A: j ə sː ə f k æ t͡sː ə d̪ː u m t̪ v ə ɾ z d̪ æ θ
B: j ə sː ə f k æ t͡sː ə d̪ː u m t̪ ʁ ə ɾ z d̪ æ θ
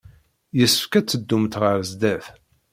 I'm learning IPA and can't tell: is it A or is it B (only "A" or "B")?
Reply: B